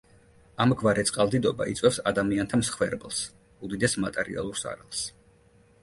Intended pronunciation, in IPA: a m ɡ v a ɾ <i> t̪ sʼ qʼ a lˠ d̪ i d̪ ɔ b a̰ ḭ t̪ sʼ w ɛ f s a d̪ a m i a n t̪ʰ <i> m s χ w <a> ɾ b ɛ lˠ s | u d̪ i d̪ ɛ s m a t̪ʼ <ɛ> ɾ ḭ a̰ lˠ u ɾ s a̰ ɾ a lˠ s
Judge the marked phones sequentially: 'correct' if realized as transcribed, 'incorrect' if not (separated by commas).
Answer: incorrect, incorrect, incorrect, correct